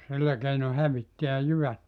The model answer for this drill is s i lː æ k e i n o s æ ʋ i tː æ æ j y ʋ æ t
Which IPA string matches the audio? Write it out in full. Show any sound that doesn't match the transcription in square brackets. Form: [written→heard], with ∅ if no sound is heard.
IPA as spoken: s i lː æ k e i n o [s→h] æ ʋ i tː [æ→i] æ j y ʋ æ t